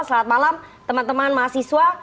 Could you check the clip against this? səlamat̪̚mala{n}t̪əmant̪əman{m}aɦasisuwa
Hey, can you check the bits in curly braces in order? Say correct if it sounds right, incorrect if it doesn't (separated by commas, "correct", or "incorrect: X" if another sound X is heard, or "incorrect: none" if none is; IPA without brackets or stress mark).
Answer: incorrect: m, correct